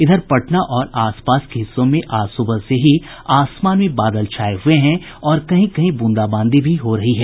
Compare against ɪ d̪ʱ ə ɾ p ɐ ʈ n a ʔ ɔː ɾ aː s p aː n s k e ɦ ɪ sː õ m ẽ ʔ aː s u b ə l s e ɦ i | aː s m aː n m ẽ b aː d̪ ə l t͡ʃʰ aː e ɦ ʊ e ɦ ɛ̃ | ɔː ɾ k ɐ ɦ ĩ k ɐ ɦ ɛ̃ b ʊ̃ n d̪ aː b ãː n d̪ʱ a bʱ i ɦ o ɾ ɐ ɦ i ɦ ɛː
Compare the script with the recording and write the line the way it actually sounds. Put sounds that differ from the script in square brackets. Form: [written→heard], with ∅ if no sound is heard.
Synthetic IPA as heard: ɪ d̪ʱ ə ɾ p ɐ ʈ n a ʔ ɔː ɾ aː s p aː [n→∅] s k e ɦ ɪ sː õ m ẽ ʔ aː s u b ə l s e ɦ i | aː s m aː n m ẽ b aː d̪ ə l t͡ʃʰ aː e ɦ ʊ e ɦ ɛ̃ | ɔː ɾ k ɐ ɦ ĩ k ɐ ɦ [ɛ̃→ĩ] b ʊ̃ n d̪ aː b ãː n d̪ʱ [a→i] bʱ i ɦ o ɾ ɐ ɦ i ɦ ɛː